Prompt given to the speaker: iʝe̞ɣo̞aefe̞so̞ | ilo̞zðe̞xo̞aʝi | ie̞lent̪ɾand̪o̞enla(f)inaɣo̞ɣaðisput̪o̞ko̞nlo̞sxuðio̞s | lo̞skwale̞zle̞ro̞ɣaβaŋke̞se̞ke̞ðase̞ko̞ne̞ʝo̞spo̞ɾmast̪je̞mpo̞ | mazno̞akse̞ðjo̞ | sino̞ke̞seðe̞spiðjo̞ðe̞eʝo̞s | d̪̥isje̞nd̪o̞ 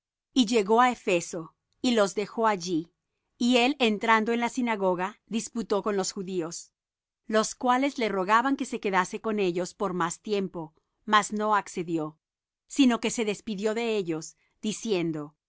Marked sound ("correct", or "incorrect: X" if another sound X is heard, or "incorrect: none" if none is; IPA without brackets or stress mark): incorrect: s